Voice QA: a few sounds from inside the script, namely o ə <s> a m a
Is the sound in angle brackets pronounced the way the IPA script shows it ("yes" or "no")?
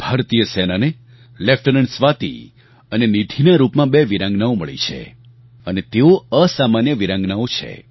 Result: yes